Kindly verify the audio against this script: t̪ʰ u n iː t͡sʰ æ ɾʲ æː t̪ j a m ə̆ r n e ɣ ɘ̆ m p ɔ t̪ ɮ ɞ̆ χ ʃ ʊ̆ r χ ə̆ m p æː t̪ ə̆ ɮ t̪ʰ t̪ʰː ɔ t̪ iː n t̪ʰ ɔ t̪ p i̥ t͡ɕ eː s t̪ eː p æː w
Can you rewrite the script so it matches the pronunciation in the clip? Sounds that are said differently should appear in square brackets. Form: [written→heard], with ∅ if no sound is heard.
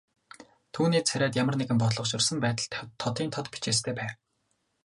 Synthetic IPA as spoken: t̪ʰ [u→uː] n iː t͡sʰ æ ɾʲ æː t̪ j a m ə̆ r n e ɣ ɘ̆ m p ɔ t̪ ɮ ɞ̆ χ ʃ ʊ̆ r [χ→s] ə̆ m p æː t̪ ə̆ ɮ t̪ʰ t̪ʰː ɔ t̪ iː n t̪ʰ ɔ t̪ p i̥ t͡ɕ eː s [t̪→t̪ʰ] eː p æː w